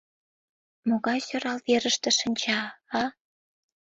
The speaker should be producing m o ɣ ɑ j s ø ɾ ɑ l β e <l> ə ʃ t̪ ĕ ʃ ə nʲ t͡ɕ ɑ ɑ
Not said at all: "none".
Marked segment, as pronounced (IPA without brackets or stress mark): ɾ